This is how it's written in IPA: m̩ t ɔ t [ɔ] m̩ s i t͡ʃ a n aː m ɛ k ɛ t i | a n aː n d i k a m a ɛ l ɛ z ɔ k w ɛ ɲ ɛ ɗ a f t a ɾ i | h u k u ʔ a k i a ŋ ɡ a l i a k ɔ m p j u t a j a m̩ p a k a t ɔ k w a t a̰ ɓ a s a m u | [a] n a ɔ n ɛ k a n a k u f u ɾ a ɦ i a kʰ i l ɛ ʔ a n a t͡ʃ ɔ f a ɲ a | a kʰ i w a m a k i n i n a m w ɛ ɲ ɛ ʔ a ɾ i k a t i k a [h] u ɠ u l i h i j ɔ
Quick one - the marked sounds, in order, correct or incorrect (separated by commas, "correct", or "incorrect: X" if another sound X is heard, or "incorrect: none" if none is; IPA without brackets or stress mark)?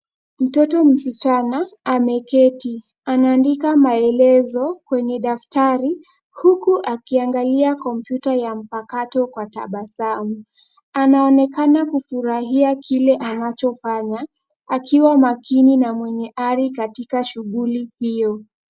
correct, correct, incorrect: ʃ